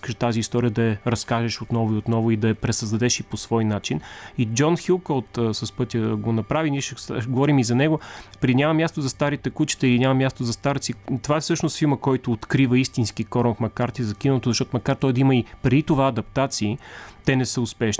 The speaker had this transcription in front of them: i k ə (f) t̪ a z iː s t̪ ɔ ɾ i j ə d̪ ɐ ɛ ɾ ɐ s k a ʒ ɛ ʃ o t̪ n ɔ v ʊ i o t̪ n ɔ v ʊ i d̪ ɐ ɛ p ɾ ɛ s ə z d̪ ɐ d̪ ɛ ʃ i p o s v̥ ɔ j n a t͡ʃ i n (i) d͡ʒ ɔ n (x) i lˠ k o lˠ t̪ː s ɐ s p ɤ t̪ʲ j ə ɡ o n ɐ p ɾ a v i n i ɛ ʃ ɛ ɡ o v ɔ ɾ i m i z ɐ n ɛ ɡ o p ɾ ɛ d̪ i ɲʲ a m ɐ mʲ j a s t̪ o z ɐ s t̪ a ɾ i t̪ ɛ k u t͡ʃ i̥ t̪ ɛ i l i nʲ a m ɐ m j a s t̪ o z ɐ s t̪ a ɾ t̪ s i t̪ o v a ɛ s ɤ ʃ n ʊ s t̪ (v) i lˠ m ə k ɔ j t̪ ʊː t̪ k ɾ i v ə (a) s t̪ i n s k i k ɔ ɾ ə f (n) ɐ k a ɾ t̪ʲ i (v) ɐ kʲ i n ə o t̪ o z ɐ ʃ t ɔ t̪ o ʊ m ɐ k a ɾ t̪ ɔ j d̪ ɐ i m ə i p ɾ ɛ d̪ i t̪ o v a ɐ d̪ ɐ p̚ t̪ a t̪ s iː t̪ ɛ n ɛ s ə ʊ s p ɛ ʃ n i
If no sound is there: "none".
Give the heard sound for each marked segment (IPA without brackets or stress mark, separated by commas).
ʃ, i, x, f, i, m, z